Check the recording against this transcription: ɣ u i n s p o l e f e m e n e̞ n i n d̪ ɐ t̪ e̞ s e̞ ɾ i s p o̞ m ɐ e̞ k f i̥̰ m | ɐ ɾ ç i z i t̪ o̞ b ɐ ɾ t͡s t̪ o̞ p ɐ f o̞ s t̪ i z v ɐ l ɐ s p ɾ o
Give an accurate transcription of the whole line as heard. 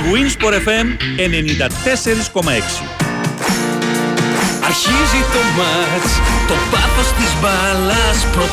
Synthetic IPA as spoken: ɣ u i n s p o ɾ e f e m e n e̞ n i n d̪ ɐ t̪ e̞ s e̞ ɾ i s k o̞ m ɐ e̞ k s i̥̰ | ɐ ɾ ç i z i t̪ o̞ m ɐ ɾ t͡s t̪ o̞ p ɐ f o̞ s t̪ i z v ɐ l ɐ s p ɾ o